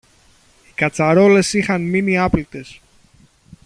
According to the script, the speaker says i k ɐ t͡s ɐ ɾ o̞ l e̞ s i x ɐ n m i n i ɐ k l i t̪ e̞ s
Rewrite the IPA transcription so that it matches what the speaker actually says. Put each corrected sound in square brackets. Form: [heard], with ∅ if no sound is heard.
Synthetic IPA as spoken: i k ɐ t͡s ɐ ɾ o̞ l e̞ s i x ɐ n m i n i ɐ [p] l i t̪ e̞ s